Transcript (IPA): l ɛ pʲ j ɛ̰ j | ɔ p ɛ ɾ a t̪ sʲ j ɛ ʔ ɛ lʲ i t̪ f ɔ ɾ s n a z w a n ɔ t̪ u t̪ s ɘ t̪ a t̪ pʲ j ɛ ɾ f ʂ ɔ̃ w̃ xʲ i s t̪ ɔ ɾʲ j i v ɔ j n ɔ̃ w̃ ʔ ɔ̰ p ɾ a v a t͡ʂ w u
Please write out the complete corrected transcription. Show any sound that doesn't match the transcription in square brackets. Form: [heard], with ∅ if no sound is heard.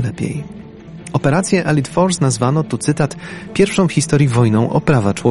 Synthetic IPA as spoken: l ɛ pʲ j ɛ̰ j | ɔ p ɛ ɾ a t̪ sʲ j ɛ ʔ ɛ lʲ i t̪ f ɔ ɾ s n a z [v] a n ɔ t̪ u t̪ s ɘ t̪ a t̪ pʲ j ɛ ɾ f ʂ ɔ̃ w̃ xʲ i s t̪ ɔ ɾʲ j i v ɔ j n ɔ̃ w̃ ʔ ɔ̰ p ɾ a v a t͡ʂ w [ɔ]